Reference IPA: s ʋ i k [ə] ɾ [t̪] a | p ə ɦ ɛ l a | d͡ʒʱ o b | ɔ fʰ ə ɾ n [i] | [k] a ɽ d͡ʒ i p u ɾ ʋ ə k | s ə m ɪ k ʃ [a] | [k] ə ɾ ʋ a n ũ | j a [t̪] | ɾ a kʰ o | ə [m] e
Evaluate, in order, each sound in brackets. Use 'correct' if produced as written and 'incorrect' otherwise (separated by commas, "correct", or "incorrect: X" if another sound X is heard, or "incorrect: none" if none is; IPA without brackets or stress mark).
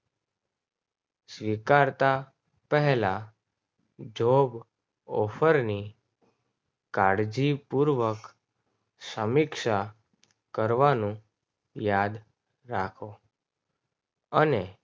incorrect: a, correct, correct, correct, correct, correct, incorrect: d̪, incorrect: n